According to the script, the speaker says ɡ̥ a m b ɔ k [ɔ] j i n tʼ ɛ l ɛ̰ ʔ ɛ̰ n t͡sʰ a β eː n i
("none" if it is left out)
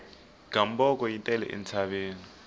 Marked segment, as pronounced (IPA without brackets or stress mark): ɔ